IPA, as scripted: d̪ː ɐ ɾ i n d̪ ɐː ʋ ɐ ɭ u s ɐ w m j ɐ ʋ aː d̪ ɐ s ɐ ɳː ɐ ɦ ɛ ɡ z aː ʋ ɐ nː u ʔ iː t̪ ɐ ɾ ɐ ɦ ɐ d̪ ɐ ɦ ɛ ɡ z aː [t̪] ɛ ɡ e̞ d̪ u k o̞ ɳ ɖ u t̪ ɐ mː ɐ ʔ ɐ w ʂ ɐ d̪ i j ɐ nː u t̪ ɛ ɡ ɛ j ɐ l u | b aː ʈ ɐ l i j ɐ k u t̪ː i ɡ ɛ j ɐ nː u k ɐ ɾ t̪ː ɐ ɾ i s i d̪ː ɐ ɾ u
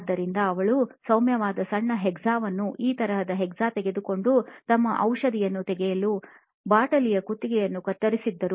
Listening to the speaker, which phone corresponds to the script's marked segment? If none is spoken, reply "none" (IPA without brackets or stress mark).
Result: t̪